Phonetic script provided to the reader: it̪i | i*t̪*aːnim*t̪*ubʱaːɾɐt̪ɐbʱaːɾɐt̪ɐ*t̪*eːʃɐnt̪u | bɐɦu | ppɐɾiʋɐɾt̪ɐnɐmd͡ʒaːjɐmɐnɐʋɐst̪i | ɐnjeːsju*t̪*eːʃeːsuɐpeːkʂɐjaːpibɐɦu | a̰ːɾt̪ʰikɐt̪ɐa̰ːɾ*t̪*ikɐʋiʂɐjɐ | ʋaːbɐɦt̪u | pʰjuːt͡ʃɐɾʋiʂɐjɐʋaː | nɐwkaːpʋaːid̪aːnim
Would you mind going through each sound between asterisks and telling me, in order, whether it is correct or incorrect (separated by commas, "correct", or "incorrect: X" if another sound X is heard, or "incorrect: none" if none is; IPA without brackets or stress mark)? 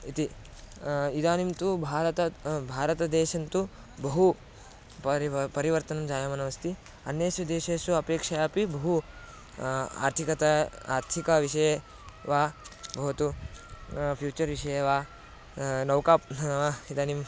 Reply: incorrect: d̪, correct, incorrect: d̪, incorrect: d̪, incorrect: t̪ʰ